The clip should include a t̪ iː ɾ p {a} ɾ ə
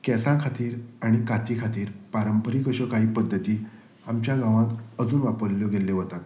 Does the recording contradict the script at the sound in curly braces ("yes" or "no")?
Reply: no